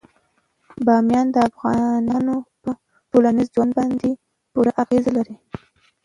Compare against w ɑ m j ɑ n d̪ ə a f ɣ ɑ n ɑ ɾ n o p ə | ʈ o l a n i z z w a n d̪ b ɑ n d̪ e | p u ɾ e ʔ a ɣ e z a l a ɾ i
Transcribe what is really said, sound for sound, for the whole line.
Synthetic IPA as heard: b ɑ m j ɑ n d̪ ə a f ɣ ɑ n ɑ n o p ə | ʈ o l a n i z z w a n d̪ b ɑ n d̪ e | p u ɾ a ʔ a ɣ e z a l a ɾ i